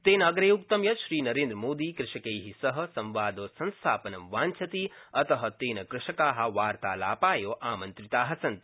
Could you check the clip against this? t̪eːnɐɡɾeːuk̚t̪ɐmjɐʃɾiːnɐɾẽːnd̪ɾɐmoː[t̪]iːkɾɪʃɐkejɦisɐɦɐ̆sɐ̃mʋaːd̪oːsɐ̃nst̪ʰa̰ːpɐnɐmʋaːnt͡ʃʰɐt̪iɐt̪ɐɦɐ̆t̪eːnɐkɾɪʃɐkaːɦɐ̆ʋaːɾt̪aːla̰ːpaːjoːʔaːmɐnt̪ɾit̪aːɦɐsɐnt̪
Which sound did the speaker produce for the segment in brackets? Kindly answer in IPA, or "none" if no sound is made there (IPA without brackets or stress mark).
d̪